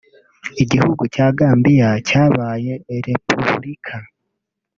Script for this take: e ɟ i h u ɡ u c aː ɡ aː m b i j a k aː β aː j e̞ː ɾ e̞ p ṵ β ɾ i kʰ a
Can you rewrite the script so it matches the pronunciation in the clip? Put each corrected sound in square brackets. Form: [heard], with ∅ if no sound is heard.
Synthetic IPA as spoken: [i] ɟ i h u ɡ u c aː ɡ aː m b i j a [c] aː β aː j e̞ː ɾ e̞ p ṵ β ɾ i kʰ a